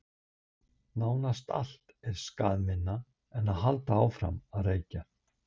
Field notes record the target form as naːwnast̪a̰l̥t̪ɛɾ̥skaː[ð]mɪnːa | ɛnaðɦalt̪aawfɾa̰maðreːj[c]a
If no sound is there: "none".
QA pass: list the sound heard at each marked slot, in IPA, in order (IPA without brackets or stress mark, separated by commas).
ð, c